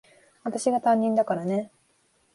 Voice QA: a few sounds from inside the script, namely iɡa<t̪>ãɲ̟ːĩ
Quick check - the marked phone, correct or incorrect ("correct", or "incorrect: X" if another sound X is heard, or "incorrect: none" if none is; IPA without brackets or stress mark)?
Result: correct